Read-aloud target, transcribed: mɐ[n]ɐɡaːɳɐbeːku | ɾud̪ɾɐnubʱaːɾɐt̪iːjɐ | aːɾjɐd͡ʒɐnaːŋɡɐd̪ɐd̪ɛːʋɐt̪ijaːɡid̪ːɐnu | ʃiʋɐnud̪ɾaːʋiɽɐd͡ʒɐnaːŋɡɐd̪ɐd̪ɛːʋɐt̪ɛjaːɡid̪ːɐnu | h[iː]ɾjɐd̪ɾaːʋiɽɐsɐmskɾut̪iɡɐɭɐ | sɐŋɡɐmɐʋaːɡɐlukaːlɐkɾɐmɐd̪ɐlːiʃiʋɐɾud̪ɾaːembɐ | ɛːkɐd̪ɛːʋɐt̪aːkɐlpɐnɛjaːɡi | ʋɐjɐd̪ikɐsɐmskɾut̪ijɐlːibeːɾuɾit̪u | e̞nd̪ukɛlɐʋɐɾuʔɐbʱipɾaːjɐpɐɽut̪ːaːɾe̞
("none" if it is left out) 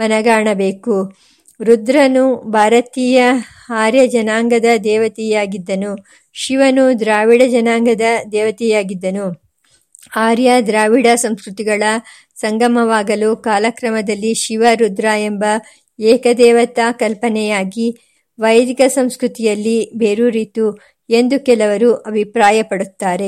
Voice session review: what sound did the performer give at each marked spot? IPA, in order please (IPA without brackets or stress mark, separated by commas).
n, aː